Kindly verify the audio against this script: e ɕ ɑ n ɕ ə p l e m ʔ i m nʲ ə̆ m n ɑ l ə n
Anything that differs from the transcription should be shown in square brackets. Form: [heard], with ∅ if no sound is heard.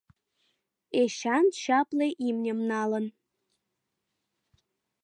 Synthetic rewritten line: e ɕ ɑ n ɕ [ɑ] p l e [∅] ʔ i m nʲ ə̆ m n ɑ l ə n